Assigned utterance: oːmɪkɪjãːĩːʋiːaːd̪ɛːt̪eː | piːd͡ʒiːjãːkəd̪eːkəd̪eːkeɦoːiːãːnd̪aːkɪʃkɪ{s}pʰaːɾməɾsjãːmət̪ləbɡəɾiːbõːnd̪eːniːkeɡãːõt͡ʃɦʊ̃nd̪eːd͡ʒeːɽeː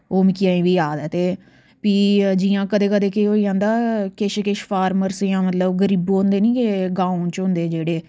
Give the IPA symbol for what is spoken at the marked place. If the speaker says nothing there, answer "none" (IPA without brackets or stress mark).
ʃ